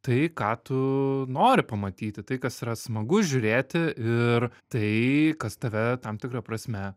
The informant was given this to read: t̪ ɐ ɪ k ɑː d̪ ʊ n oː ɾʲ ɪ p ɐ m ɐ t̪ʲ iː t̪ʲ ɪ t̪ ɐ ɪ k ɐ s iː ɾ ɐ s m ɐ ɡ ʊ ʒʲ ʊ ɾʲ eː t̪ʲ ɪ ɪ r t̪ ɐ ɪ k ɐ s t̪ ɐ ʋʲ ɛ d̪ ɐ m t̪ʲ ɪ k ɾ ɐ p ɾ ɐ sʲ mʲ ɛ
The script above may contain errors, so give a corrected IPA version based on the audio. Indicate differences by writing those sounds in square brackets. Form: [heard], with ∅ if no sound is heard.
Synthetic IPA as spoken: t̪ ɐ ɪ k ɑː [t̪] ʊ n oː ɾʲ ɪ p ɐ m ɐ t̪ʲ iː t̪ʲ ɪ t̪ ɐ ɪ k ɐ s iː ɾ ɐ s m ɐ ɡ ʊ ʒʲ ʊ ɾʲ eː t̪ʲ ɪ ɪ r t̪ ɐ ɪ k ɐ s t̪ ɐ ʋʲ ɛ [t̪] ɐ m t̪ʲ ɪ k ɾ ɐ p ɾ ɐ sʲ mʲ ɛ